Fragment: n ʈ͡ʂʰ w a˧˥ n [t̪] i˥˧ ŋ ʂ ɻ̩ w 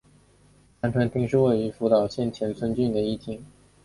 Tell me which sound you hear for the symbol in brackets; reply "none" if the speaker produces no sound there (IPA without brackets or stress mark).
t̪